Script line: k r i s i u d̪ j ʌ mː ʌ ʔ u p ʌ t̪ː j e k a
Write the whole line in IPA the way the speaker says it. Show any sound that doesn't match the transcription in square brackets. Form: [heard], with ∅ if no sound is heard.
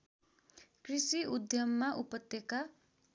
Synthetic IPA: k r i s i u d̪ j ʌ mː [a] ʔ u p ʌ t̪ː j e k a

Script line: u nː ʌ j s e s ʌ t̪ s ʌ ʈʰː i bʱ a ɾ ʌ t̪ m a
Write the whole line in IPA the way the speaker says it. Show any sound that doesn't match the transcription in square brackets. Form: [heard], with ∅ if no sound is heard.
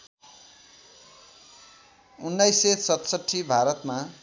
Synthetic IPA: u nː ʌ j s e s ʌ t̪ s ʌ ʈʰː i bʱ a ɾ ʌ t̪ m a

